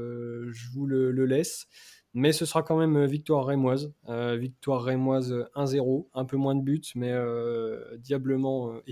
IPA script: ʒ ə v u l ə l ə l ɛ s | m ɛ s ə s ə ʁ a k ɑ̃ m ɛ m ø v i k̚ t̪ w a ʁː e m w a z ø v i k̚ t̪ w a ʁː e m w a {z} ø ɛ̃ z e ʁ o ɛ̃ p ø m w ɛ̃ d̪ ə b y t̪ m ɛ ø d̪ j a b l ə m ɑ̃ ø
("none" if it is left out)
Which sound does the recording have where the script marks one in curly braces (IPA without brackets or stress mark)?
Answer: z